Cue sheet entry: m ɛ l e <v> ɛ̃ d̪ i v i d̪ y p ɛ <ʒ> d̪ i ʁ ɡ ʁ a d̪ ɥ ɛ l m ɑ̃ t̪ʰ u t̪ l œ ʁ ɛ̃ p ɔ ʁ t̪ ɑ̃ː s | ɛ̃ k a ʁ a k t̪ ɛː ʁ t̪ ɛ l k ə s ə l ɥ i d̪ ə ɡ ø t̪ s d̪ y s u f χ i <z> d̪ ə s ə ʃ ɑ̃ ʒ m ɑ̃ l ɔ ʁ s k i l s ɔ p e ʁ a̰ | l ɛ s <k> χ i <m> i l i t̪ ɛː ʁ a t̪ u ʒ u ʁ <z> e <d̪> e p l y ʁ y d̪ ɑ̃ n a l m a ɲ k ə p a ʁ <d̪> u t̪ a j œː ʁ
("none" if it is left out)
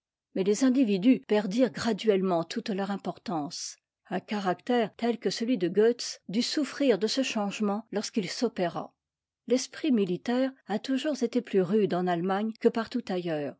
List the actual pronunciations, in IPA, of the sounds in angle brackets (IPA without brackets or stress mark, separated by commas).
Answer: z, ʁ, ʁ, p, m, z, t̪, t̪